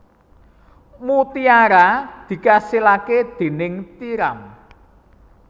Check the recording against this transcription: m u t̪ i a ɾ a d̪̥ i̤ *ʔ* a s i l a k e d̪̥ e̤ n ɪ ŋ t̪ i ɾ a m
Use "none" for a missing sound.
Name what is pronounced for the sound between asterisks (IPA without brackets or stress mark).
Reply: k